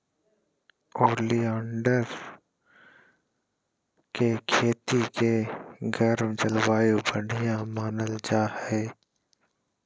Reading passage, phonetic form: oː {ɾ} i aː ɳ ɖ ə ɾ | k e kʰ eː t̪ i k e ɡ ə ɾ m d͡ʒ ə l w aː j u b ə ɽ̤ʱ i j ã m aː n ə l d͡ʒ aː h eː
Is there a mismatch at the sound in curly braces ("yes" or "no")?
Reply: yes